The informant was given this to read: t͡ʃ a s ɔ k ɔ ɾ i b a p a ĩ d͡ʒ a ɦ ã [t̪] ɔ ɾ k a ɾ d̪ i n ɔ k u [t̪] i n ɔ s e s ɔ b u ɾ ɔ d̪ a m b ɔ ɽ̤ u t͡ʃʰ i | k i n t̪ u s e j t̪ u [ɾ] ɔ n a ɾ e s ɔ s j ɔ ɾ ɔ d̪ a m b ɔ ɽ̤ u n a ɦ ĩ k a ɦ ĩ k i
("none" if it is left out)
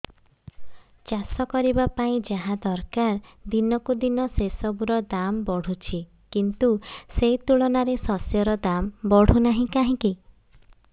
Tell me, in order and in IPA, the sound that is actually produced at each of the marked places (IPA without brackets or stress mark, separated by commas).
d̪, d̪, ɭ